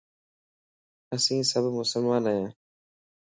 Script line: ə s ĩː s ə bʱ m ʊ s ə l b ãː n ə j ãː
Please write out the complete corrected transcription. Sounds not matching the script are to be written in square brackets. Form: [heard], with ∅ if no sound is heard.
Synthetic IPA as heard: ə s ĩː s ə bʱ m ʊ s ə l [m] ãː n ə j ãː